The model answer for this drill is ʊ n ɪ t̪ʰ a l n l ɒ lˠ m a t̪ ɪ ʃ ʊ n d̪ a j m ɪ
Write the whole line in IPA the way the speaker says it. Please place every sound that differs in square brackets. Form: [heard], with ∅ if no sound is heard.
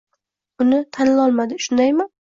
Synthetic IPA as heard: ʊ n ɪ t̪ʰ a [∅] n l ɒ lˠ m a [d̪] ɪ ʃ ʊ n d̪ a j m ɪ